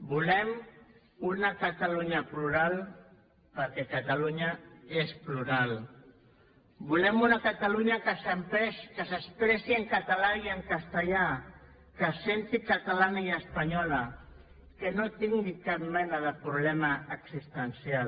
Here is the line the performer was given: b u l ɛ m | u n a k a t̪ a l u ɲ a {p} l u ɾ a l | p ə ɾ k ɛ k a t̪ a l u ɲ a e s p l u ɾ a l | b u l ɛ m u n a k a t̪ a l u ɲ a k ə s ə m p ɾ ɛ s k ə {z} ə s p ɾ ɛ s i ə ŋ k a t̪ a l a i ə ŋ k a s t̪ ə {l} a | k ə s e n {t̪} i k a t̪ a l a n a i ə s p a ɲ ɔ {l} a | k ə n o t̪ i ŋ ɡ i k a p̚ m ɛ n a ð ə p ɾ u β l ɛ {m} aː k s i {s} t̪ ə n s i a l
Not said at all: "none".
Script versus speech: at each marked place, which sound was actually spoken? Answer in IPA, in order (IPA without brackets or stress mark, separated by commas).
p, s, ʎ, t̪, l, m, s